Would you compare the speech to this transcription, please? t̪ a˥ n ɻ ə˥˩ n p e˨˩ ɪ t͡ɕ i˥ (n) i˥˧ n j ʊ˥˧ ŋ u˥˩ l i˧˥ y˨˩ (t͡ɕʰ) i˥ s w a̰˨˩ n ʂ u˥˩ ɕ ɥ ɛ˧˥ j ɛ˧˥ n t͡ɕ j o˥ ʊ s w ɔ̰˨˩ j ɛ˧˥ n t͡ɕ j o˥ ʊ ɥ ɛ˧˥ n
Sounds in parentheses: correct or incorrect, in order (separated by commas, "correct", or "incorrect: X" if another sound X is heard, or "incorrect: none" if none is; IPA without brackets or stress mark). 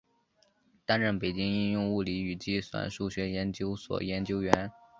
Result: incorrect: ŋ, incorrect: t͡ɕ